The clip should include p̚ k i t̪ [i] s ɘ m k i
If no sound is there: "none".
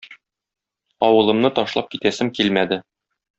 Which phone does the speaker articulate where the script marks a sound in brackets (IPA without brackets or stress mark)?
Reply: æ